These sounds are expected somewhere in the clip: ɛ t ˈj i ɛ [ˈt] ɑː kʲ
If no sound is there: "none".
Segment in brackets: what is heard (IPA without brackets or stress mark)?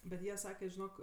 s